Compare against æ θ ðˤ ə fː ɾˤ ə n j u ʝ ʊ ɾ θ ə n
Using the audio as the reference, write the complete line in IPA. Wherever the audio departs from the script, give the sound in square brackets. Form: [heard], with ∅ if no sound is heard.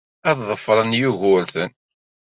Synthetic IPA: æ [ð] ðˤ ə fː ɾˤ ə n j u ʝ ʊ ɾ θ ə n

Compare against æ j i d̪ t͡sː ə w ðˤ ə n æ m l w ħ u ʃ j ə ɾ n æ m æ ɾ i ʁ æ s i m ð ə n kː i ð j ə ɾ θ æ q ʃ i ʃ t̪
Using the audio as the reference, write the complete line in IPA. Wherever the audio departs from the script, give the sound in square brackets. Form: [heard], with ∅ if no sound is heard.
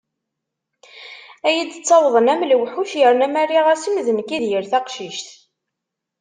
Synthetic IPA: æ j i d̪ t͡sː [ɑ] w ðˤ ə n æ m l w ħ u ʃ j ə ɾ n æ m æ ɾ i ʁ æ s i m ð ə n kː i ð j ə ɾ θ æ q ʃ i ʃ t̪

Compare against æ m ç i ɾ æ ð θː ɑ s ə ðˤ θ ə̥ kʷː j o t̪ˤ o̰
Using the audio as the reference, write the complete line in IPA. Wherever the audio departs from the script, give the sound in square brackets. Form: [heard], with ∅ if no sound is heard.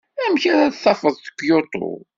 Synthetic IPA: æ m ç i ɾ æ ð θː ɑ [f] ə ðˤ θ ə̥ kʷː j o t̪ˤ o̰

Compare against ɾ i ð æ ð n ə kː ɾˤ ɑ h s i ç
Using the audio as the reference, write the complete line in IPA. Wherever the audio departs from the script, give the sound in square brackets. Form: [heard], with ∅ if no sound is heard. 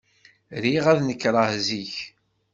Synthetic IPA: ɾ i [ʁ] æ ð n ə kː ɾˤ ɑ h [z] i ç

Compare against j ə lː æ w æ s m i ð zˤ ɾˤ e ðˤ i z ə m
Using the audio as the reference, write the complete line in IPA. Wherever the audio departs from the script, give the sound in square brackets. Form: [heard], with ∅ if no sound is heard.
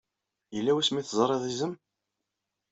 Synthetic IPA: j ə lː æ w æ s m i [θ] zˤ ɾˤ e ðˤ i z ə m

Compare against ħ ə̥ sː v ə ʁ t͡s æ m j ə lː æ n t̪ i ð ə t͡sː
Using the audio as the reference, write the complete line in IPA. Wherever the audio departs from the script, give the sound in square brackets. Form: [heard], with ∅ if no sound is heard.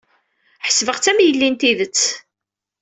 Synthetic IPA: ħ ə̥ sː v ə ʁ t͡s æ m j ə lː [i] n t̪ i ð ə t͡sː

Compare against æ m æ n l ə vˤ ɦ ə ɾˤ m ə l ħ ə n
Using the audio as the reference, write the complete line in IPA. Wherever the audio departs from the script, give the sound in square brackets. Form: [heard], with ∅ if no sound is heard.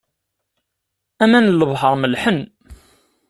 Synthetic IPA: æ m æ n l ə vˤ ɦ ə ɾˤ m ə l ħ ə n

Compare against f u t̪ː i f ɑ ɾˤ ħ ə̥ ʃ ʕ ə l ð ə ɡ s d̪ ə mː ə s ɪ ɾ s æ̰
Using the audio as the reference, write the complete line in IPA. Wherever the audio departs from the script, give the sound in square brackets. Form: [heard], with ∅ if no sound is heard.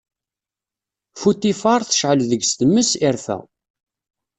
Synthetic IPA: f u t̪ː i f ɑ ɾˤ [θ] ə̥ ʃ ʕ ə l ð ə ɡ s [t̪] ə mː ə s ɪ ɾ [f] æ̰

